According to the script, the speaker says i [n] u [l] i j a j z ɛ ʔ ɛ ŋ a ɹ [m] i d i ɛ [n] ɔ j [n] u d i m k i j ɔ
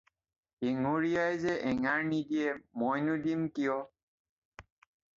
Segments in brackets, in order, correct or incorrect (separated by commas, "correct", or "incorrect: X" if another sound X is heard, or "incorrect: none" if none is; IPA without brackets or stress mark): incorrect: ŋ, incorrect: ɹ, incorrect: n, incorrect: m, correct